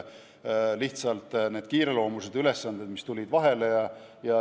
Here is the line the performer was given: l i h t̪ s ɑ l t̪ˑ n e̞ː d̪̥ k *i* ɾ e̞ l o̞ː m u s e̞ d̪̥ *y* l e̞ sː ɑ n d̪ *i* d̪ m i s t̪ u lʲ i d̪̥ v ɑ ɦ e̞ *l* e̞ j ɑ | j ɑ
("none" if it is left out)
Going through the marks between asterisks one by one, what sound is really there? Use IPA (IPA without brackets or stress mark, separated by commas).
iː, y, e, l